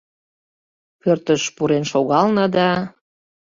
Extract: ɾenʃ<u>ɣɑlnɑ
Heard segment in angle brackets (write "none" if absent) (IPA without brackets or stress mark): o